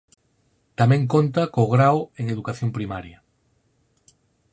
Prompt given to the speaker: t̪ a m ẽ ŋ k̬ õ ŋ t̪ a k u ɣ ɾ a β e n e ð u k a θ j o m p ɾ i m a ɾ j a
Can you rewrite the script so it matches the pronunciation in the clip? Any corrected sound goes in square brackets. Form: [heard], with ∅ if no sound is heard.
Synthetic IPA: t̪ a m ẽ ŋ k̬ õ [n] t̪ a k [o] ɣ ɾ a [w] e [ŋ] e ð u k a θ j o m p ɾ i m a ɾ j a